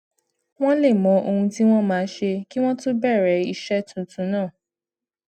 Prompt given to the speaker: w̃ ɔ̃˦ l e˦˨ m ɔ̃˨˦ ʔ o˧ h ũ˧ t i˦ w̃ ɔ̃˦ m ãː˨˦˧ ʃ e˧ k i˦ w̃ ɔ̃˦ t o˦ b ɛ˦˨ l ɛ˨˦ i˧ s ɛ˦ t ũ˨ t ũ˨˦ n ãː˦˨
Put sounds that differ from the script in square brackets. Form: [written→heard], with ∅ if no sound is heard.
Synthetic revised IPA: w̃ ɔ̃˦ l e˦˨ m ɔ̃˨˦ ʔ o˧ h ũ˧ t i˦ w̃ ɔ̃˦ m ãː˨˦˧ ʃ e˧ k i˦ w̃ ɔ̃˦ t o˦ b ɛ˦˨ [l→ɾ] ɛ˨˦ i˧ [s→ʃ] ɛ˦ t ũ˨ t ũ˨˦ n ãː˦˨